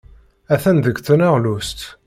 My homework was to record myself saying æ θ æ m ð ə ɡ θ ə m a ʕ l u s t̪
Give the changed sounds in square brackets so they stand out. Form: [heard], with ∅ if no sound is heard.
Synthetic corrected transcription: æ θ æ [n] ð ə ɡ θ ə [n] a [ʁ] l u s t̪